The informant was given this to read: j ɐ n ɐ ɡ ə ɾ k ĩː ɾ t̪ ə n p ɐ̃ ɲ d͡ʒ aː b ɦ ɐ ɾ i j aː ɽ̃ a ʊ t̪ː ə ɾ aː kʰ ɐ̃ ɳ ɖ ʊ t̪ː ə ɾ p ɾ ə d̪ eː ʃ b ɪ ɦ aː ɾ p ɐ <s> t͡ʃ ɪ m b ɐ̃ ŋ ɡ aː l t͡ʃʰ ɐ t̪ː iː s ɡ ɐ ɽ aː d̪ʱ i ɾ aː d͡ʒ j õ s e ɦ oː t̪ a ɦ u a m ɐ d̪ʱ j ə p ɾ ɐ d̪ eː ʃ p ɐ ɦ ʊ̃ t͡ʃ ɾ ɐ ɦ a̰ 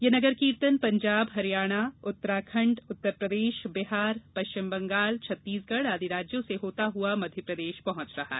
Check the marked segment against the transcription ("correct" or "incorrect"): incorrect